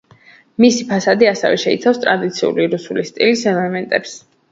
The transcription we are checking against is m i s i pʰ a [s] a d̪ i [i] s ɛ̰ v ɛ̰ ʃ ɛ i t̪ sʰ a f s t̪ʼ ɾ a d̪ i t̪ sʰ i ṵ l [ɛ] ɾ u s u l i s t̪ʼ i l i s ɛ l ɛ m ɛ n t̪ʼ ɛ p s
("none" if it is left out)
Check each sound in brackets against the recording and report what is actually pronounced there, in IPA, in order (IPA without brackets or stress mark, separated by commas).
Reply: s, a, i